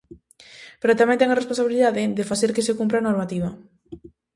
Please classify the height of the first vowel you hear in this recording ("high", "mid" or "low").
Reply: mid